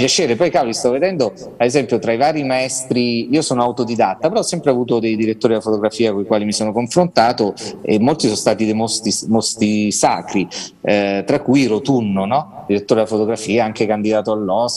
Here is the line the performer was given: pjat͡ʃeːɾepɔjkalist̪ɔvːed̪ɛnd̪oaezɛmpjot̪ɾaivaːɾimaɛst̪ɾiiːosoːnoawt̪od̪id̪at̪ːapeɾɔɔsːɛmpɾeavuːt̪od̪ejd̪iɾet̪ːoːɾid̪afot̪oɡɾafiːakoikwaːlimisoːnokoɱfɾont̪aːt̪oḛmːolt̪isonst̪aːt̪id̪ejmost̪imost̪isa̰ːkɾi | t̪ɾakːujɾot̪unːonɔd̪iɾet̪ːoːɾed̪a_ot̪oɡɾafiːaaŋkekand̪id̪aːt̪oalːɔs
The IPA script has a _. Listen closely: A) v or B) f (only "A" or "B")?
B